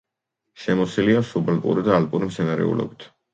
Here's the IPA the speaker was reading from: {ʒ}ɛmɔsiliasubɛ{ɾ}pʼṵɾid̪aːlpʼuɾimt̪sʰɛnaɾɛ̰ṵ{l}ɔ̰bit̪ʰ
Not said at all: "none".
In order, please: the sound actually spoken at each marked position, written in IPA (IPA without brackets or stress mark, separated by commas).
ʃ, l, l